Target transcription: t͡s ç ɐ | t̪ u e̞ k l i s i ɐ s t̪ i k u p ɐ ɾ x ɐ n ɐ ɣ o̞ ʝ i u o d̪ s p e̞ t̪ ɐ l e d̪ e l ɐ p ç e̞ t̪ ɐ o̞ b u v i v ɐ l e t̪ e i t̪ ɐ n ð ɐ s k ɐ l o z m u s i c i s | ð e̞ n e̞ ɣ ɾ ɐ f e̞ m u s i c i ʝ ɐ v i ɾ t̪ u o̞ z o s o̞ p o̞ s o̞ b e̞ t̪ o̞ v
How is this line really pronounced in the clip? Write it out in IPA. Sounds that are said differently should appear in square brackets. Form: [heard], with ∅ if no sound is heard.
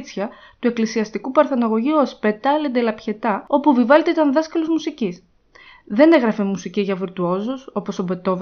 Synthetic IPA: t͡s ç ɐ | t̪ u e̞ k l i s i ɐ s t̪ i k u p ɐ ɾ [θ] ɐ n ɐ ɣ o̞ ʝ i u o [∅] s p e̞ t̪ ɐ l e d̪ e l ɐ p ç e̞ t̪ ɐ o̞ [p] u v i v ɐ l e t̪ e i t̪ ɐ n ð ɐ s k ɐ l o z m u s i c i s | ð e̞ n e̞ ɣ ɾ ɐ f e̞ m u s i c i ʝ ɐ v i ɾ t̪ u o̞ z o s o̞ p o̞ s o̞ b e̞ t̪ o̞ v